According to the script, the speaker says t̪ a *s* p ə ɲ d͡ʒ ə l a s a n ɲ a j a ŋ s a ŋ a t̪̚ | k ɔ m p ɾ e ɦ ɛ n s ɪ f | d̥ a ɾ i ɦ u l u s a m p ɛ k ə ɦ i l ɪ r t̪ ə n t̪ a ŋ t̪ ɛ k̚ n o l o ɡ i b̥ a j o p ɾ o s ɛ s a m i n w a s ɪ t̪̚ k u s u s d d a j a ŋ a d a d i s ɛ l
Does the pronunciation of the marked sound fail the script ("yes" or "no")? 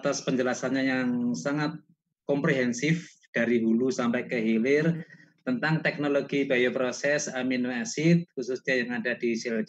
no